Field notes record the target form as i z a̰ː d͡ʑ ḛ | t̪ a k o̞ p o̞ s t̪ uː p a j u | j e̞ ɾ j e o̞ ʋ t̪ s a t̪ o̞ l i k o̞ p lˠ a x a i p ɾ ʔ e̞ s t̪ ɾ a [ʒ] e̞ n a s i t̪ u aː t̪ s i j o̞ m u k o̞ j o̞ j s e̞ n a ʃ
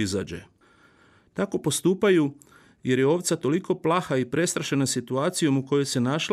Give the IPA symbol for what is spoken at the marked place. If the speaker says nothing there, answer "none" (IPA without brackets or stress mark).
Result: ʃ